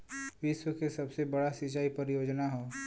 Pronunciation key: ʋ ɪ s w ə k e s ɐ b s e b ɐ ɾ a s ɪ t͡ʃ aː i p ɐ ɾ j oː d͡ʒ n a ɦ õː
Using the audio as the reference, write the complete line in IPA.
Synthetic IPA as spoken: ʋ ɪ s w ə k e s ɐ b s e b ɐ ɽ a s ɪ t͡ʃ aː i p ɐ ɾ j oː d͡ʒ n a ɦ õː